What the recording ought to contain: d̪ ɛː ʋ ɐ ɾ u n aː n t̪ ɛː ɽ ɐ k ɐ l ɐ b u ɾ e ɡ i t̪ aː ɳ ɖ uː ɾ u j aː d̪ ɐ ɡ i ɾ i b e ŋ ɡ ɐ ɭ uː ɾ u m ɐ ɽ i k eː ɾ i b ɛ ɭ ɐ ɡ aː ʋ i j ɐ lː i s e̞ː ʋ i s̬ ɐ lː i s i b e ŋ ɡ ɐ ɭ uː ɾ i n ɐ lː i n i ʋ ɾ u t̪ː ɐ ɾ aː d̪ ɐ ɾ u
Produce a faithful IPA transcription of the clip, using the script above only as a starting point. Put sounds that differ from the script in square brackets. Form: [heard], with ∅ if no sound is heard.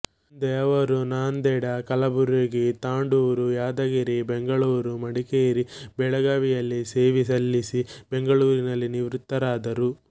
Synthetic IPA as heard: d̪ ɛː ʋ ɐ ɾ u n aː n [d̪] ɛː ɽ ɐ k ɐ l ɐ b u ɾ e ɡ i t̪ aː ɳ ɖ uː ɾ u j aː d̪ ɐ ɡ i ɾ i b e ŋ ɡ ɐ ɭ uː ɾ u m ɐ ɽ i k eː ɾ i b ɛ ɭ ɐ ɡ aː ʋ i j ɐ lː i s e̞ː ʋ i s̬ ɐ lː i s i b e ŋ ɡ ɐ ɭ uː ɾ i n ɐ lː i n i ʋ ɾ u t̪ː ɐ ɾ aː d̪ ɐ ɾ u